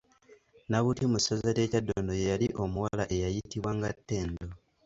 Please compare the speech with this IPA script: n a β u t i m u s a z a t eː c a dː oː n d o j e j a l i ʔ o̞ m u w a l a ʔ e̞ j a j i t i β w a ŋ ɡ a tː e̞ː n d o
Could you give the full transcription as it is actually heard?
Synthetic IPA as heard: n a β u t i m u s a z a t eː c a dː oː n d o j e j a l i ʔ o̞ m u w a l a ʔ e̞ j a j i t i β w a ŋ ɡ a tː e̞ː n d o